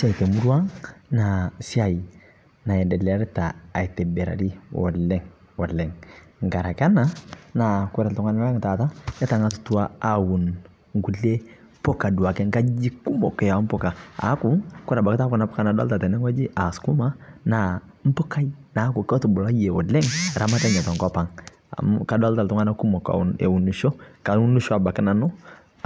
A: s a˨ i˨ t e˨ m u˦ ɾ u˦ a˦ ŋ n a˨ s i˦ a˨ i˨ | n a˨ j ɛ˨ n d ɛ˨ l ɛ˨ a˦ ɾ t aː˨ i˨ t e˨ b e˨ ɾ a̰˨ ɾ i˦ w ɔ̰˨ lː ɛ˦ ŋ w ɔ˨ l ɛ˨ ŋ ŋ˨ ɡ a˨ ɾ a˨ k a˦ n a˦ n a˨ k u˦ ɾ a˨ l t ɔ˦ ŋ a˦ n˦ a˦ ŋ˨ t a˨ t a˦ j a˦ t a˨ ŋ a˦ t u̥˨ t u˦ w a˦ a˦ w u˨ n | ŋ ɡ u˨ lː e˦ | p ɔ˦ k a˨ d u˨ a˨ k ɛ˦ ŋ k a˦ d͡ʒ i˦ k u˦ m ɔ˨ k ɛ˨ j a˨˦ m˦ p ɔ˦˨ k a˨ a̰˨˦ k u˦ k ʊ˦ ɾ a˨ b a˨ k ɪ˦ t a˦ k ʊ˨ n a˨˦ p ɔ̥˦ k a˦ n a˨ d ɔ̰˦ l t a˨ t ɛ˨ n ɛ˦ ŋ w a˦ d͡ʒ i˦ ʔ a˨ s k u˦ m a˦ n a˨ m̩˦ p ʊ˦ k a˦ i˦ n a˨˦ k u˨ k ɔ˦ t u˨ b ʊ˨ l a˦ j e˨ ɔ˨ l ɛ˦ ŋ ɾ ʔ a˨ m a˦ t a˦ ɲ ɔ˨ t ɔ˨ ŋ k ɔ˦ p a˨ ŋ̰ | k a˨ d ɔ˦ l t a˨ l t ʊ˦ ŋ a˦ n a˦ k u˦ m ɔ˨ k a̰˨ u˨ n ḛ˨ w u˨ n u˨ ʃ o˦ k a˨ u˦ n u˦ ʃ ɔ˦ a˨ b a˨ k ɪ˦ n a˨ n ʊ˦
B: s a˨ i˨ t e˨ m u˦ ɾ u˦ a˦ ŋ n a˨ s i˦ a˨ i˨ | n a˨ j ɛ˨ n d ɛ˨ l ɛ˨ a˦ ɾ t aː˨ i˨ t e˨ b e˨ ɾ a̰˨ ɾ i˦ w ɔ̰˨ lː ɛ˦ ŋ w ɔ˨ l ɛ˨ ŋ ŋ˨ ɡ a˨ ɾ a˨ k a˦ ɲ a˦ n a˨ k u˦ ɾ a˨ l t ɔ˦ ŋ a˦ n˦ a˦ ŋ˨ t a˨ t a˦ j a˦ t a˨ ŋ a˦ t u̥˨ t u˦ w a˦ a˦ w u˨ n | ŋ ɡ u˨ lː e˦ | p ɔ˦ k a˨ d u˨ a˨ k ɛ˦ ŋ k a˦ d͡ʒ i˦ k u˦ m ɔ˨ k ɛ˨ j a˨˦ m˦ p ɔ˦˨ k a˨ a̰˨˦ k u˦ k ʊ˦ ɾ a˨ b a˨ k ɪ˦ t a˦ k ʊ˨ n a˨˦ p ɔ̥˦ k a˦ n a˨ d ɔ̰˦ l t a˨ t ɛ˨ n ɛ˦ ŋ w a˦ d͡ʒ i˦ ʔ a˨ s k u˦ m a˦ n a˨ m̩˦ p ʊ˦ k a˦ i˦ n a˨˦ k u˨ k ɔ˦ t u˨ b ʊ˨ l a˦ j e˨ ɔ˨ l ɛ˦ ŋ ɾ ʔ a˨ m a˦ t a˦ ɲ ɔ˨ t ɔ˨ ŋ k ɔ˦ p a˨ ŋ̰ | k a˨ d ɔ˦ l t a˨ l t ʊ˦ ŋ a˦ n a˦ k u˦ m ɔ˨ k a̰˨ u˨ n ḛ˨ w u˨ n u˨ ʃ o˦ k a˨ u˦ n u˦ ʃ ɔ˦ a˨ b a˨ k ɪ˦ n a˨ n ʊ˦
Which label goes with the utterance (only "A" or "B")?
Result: A